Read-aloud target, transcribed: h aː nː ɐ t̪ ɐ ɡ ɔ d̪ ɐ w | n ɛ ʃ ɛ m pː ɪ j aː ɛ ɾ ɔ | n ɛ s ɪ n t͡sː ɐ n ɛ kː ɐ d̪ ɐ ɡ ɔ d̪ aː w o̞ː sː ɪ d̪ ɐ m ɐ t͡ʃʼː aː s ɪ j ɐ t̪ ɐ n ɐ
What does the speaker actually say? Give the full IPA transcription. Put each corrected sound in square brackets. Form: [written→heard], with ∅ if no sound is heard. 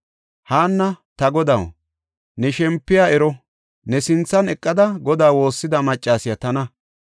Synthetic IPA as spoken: h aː nː ɐ t̪ ɐ ɡ ɔ d̪ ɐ w | n ɛ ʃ ɛ m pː ɪ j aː ɛ ɾ ɔ | n ɛ s ɪ n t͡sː ɐ n ɛ [kː→kʼː] ɐ d̪ ɐ ɡ ɔ d̪ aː w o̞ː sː ɪ d̪ ɐ m ɐ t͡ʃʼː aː s ɪ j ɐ t̪ ɐ n ɐ

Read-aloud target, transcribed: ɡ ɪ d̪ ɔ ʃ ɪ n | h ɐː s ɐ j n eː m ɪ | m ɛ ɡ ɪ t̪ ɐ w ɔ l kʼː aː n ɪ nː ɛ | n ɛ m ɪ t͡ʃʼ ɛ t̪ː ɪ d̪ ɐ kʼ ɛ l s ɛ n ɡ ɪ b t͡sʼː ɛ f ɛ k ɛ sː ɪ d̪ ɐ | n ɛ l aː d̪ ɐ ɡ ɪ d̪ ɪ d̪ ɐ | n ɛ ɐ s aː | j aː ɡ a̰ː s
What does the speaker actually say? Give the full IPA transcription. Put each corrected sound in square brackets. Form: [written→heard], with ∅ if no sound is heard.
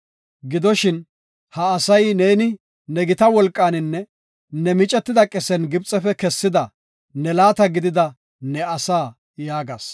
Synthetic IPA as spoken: ɡ ɪ d̪ ɔ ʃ ɪ n | h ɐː s ɐ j n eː [m→n] ɪ | [m→n] ɛ ɡ ɪ t̪ ɐ w ɔ l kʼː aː n ɪ nː ɛ | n ɛ m ɪ t͡ʃʼ ɛ t̪ː ɪ d̪ ɐ kʼ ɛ [l→∅] s ɛ n ɡ ɪ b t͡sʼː ɛ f ɛ k ɛ sː ɪ d̪ ɐ | n ɛ l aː [d̪→t̪] ɐ ɡ ɪ d̪ ɪ d̪ ɐ | n ɛ ɐ s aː | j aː ɡ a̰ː s

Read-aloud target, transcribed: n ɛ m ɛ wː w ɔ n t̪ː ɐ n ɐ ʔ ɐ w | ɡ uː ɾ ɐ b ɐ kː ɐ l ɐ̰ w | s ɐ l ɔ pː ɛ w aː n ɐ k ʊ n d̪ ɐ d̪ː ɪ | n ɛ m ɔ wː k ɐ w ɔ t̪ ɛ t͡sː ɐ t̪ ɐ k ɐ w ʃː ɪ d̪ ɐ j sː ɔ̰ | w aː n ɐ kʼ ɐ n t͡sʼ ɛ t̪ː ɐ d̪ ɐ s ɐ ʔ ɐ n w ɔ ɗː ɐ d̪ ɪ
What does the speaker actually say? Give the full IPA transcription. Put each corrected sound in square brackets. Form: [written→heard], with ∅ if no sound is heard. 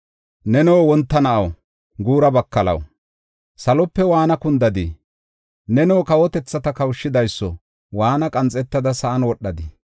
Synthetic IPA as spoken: n ɛ [m→n] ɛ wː w ɔ n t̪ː ɐ n ɐ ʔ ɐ w | ɡ uː ɾ ɐ b ɐ kː ɐ l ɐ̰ w | s ɐ l ɔ pː ɛ w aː n ɐ k ʊ n d̪ ɐ [d̪ː→d̪] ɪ | n ɛ [m→n] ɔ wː k ɐ w ɔ t̪ ɛ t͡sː ɐ t̪ ɐ k ɐ w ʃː ɪ d̪ ɐ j sː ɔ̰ | w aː n ɐ kʼ ɐ n t͡sʼ ɛ t̪ː ɐ d̪ ɐ s ɐ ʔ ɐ n w ɔ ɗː ɐ d̪ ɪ

